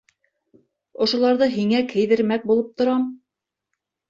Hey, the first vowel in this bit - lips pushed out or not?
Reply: yes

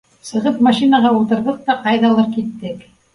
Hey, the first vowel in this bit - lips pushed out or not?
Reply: no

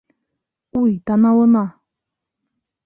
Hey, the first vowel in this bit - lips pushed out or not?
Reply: yes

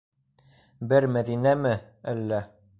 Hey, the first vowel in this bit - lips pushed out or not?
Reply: no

